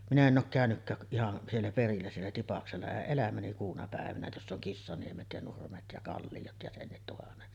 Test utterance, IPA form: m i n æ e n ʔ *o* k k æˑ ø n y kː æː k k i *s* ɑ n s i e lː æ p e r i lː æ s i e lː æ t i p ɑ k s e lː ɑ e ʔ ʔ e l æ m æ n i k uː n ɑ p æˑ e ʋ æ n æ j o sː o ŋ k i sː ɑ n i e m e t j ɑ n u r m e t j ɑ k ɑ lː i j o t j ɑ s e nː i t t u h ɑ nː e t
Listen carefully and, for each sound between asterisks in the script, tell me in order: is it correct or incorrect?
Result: incorrect: oː, incorrect: h

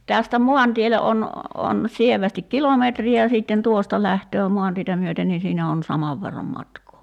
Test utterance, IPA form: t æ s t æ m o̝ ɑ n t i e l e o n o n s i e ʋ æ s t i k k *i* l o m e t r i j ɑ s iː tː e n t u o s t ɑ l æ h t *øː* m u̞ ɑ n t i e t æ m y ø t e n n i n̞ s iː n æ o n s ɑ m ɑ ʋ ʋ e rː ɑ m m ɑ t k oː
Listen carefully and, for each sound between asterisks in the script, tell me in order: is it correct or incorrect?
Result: correct, correct

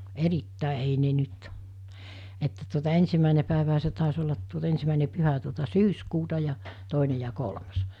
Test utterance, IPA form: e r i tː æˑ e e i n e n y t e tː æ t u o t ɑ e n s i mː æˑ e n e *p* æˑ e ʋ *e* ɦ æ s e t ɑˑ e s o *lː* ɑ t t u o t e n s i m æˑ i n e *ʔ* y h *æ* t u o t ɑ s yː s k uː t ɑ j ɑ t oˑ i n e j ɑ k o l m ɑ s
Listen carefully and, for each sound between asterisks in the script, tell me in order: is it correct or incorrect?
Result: correct, incorrect: æ, correct, incorrect: p, correct

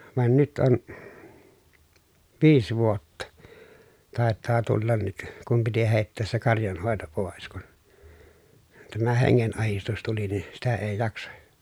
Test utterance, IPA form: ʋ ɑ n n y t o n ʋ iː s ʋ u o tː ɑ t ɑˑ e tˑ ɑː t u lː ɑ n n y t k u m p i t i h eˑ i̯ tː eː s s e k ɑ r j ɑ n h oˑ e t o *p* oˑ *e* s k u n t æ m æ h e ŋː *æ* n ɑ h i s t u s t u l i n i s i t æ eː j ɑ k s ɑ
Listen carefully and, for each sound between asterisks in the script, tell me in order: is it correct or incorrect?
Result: correct, correct, incorrect: e

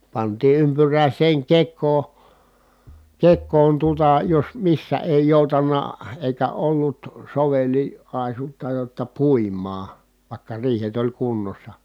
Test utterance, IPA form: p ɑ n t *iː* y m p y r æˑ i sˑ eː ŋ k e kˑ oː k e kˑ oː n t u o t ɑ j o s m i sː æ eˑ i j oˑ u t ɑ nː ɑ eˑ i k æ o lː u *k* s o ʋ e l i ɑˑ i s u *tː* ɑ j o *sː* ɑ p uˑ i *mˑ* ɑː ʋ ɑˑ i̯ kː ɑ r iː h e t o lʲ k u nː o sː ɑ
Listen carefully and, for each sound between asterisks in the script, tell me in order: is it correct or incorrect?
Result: correct, incorrect: t, correct, incorrect: tː, correct

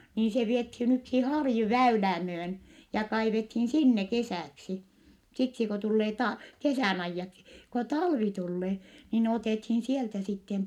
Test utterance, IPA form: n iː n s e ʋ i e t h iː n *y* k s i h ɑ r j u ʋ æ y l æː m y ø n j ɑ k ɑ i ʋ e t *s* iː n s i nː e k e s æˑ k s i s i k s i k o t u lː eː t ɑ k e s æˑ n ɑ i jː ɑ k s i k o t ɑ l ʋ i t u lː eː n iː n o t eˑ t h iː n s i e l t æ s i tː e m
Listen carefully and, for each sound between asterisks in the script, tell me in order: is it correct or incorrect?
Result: correct, incorrect: h

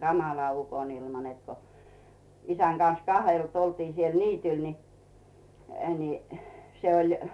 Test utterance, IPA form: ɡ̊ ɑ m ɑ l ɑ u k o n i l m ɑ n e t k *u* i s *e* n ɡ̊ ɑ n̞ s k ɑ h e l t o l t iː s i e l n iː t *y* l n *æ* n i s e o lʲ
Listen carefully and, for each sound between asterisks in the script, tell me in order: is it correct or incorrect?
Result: incorrect: o, incorrect: æ, correct, incorrect: i

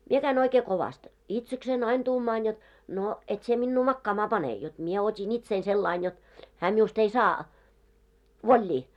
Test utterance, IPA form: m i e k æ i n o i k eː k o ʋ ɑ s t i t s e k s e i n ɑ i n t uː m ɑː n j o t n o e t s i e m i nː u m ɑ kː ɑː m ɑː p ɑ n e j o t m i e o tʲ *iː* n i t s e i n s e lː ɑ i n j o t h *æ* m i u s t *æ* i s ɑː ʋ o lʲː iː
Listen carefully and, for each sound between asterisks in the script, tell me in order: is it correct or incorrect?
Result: incorrect: i, incorrect: æː, incorrect: e

